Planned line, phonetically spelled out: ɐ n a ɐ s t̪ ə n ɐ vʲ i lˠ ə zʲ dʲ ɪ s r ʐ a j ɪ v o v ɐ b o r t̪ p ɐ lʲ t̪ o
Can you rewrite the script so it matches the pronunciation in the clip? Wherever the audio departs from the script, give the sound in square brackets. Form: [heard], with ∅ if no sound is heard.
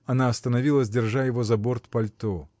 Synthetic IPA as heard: ɐ n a ɐ s t̪ ə n ɐ vʲ i lˠ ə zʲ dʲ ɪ [∅] r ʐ a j ɪ v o [z] ɐ b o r t̪ p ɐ lʲ t̪ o